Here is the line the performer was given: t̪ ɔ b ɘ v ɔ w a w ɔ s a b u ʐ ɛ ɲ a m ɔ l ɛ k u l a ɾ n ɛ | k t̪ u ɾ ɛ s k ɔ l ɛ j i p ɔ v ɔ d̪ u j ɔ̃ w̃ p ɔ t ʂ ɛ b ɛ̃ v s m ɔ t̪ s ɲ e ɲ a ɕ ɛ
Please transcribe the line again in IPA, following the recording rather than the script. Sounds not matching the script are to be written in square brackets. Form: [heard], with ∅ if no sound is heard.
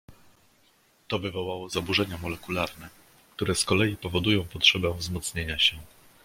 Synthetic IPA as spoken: t̪ ɔ [v] ɘ v ɔ w a w ɔ [z] a b u ʐ ɛ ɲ a m ɔ l ɛ k u l a ɾ n ɛ | k t̪ u ɾ ɛ s k ɔ l ɛ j i p ɔ v ɔ d̪ u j ɔ̃ w̃ p ɔ t ʂ ɛ b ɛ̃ v [z] m ɔ t̪ s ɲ e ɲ a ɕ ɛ